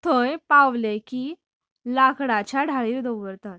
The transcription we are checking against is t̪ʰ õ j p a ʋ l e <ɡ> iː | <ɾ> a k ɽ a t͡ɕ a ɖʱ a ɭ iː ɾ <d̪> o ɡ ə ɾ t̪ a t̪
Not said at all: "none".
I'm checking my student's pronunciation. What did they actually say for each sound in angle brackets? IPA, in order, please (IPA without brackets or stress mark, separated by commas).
k, l, d̪